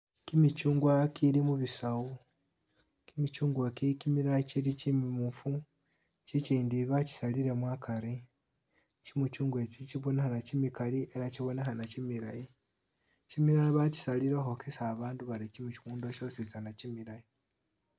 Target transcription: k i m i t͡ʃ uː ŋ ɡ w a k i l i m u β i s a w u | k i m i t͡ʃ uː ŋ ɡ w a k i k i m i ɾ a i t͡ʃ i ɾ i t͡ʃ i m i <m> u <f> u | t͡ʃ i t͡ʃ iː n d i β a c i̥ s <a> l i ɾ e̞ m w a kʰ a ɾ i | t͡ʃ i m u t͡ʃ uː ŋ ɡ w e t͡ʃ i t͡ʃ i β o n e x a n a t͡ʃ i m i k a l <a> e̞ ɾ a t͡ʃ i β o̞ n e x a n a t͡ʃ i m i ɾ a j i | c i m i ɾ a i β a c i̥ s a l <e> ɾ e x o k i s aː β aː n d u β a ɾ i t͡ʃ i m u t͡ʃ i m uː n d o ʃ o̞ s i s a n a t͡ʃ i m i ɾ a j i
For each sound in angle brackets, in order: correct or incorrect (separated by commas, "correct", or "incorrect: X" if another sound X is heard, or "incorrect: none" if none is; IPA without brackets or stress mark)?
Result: correct, correct, correct, incorrect: i, incorrect: i